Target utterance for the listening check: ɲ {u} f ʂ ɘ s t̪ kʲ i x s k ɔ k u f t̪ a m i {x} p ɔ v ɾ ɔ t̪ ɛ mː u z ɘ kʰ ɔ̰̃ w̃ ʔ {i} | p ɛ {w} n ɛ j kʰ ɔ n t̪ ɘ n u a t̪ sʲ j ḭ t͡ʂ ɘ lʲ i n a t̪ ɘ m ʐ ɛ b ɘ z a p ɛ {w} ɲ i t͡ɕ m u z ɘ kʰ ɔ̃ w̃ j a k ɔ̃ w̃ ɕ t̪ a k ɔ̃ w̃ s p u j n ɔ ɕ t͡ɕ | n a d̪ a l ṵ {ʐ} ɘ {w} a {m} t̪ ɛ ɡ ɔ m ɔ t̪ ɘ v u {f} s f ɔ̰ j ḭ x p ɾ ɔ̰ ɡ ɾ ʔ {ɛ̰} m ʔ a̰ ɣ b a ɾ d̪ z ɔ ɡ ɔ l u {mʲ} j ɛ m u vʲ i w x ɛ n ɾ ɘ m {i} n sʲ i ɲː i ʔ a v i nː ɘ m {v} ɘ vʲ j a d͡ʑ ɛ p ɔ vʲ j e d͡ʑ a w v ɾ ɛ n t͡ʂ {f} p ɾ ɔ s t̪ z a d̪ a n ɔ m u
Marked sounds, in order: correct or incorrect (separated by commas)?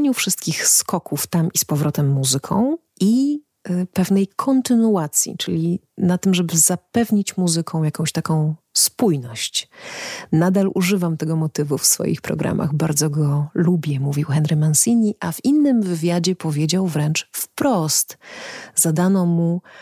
correct, incorrect, correct, incorrect, incorrect, correct, incorrect, correct, correct, incorrect, incorrect, incorrect, correct, correct